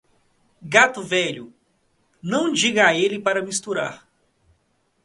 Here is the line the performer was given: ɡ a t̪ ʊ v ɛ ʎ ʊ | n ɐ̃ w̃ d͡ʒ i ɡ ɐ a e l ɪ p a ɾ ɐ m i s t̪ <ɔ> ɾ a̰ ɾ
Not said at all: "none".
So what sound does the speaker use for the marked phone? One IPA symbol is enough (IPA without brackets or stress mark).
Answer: u